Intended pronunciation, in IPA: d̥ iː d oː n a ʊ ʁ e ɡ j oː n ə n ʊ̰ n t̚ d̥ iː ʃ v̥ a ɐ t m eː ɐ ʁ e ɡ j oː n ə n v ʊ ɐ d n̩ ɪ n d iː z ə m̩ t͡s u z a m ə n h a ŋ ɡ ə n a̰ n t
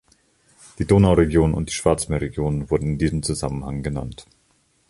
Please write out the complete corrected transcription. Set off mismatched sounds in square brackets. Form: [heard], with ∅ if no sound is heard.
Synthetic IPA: d̥ iː d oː n a ʊ ʁ e ɡ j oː n ə n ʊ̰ n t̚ d̥ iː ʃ v̥ a ɐ [t͡s] m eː ɐ ʁ e ɡ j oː n ə n v ʊ ɐ d n̩ ɪ n d iː z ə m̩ t͡s u z a m ə n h a ŋ ɡ ə n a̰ n t